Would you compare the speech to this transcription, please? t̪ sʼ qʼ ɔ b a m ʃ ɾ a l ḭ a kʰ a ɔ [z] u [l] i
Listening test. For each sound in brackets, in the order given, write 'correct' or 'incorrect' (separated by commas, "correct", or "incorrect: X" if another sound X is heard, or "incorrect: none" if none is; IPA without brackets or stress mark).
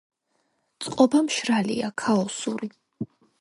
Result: incorrect: s, incorrect: ɾ